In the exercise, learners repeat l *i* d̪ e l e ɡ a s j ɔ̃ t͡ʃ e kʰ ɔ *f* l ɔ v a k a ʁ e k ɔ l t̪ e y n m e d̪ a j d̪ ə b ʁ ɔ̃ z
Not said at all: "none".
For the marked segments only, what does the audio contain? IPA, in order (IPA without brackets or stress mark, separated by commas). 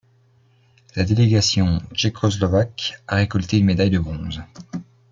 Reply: a, s